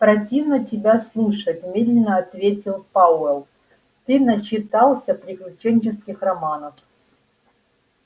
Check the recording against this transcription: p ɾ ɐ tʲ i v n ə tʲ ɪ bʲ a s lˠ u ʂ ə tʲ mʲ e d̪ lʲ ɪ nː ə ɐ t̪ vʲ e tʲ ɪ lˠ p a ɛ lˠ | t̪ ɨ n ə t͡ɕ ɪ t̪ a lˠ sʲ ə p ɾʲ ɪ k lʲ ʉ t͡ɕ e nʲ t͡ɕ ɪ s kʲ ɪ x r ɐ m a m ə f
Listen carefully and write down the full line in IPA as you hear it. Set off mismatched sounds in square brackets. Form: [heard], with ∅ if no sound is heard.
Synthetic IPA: p ɾ ɐ tʲ i v n ə tʲ ɪ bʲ a s lˠ u ʂ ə tʲ mʲ e d̪ lʲ ɪ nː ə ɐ t̪ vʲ e tʲ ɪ lˠ p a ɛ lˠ | t̪ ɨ n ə t͡ɕ ɪ t̪ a lˠ sʲ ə p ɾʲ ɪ k lʲ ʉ t͡ɕ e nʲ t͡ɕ ɪ s kʲ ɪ x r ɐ m a [n] ə f